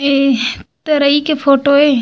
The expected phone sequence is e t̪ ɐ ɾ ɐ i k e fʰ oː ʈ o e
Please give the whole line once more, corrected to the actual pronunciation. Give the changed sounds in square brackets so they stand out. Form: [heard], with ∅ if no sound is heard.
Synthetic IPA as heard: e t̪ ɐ ɾ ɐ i k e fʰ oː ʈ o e